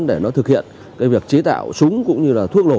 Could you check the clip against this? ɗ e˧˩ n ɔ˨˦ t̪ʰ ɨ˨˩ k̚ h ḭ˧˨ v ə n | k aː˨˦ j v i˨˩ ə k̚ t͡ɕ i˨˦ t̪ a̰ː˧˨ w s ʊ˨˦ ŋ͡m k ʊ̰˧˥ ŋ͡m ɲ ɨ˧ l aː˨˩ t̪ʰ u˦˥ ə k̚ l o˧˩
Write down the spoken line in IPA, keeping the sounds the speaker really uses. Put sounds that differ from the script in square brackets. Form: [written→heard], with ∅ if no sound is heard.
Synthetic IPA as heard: ɗ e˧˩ n ɔ˨˦ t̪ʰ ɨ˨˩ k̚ h ḭ˧˨ [v→∅] ə n | k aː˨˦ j v i˨˩ ə k̚ t͡ɕ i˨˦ t̪ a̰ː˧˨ w s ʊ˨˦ ŋ͡m k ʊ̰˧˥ ŋ͡m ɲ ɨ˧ l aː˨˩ t̪ʰ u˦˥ ə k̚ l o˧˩